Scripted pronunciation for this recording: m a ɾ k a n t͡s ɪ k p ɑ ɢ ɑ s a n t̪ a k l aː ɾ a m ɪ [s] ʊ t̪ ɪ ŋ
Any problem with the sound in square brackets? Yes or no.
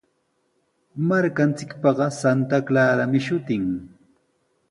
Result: yes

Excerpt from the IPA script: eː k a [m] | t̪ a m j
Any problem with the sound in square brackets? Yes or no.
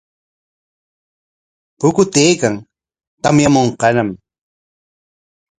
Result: yes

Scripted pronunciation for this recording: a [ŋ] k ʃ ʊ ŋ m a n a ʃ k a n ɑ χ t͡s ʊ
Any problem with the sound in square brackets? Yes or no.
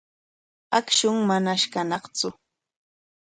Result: yes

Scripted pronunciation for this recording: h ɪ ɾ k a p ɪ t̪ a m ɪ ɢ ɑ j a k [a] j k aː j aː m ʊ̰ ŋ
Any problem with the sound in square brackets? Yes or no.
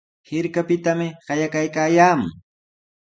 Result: no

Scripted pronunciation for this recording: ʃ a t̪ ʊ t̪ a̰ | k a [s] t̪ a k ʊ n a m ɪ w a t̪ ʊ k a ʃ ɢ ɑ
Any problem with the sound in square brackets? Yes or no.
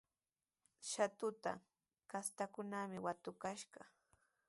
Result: no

